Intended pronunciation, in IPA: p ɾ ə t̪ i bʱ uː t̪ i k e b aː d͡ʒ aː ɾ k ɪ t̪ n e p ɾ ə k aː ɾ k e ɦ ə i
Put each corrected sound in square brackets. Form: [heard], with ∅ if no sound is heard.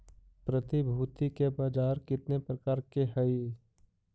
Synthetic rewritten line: p ɾ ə t̪ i bʱ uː t̪ i k e b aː d͡ʒ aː ɾ k ɪ t̪ n e p ɾ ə k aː ɾ k e ɦ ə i